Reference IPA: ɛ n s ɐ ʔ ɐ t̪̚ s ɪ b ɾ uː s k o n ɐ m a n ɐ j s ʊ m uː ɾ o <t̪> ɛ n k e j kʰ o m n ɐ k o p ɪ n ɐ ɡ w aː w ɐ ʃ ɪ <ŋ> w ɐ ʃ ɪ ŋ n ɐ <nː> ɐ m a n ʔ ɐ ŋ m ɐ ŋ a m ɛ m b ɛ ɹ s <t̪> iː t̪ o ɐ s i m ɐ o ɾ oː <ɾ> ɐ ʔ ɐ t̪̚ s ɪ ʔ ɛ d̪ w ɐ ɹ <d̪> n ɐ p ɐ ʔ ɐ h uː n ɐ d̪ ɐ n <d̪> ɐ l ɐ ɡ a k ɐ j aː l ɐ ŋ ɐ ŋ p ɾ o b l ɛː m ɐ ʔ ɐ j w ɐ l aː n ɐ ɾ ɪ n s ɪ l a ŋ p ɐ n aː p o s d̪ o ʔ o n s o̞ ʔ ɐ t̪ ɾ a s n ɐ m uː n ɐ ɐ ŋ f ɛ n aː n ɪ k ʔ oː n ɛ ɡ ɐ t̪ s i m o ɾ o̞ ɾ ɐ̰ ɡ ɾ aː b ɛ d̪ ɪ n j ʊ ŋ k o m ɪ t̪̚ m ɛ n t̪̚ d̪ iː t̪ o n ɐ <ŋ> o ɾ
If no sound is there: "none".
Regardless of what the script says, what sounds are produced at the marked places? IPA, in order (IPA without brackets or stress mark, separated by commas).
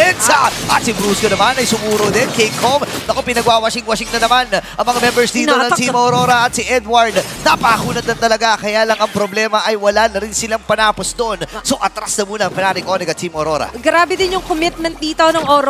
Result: d̪, ŋ, n, d̪, ɾ, d̪, t̪, ŋ